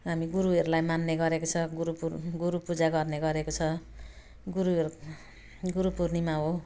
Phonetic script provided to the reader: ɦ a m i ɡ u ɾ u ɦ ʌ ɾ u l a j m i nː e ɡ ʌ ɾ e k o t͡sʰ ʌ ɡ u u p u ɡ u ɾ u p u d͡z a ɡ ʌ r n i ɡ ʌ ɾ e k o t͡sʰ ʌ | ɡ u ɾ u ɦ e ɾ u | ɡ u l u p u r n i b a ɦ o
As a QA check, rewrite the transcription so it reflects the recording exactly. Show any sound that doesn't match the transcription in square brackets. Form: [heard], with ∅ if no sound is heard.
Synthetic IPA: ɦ a m i ɡ u ɾ u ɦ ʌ ɾ u l a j m [a] nː e ɡ ʌ ɾ e k o t͡sʰ ʌ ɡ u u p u ɡ u ɾ u p u d͡z a ɡ ʌ r n [e] ɡ ʌ ɾ e k o t͡sʰ ʌ | ɡ u ɾ u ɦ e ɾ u | ɡ u [ɾ] u p u r n i [m] a ɦ o